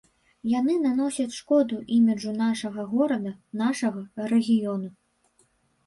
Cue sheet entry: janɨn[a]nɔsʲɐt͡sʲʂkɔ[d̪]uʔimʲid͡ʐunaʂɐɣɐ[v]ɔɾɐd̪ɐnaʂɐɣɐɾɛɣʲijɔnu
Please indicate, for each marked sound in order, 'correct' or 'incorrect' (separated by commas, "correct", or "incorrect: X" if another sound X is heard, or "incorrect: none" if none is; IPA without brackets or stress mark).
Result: correct, correct, incorrect: ɣ